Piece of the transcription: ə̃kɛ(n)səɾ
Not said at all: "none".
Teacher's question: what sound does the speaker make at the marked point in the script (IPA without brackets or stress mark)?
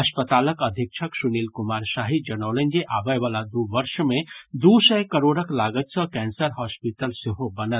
n